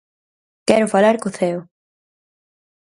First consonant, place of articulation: velar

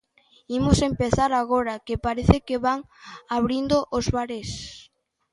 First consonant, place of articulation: labial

